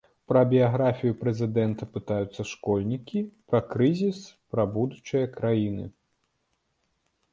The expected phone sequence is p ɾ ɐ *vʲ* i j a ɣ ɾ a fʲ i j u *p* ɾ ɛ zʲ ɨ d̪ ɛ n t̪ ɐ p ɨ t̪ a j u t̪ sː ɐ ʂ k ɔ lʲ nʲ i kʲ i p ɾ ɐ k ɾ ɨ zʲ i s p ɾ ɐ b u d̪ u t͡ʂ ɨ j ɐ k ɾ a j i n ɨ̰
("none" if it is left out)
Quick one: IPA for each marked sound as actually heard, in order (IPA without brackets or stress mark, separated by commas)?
bʲ, p